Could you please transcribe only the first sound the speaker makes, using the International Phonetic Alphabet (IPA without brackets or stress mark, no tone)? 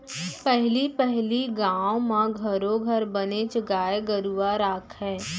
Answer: p